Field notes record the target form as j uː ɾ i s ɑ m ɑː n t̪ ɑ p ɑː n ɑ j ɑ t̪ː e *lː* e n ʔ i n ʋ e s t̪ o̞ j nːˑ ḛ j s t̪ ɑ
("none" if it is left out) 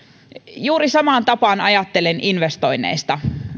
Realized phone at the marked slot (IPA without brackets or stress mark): l